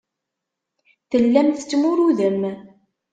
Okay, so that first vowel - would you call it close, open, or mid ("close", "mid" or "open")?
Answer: mid